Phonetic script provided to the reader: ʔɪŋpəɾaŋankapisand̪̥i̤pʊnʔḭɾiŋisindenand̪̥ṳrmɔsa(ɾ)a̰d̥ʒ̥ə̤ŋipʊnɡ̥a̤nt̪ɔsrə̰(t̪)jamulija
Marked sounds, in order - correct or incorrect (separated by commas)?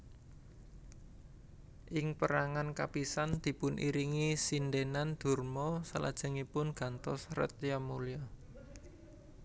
incorrect, correct